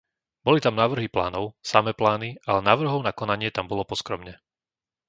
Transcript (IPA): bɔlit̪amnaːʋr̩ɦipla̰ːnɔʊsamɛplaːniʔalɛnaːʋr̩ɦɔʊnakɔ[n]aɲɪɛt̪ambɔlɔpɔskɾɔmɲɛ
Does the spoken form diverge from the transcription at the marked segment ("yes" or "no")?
no